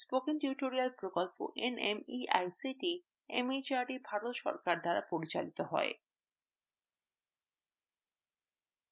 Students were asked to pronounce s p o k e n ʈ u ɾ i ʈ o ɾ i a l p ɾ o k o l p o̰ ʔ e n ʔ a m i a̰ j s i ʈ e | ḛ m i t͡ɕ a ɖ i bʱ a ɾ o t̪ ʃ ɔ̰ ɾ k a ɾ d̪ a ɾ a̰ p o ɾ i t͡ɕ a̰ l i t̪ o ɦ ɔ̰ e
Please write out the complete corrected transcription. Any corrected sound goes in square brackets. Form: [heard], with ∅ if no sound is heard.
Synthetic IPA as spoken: s p o k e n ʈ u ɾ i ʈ o ɾ i a l p ɾ o k o l p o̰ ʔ e n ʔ [e] m i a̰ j s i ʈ [i] | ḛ m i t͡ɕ a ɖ i bʱ a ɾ o t̪ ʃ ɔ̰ ɾ k a ɾ d̪ a ɾ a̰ p o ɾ i t͡ɕ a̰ l i t̪ o ɦ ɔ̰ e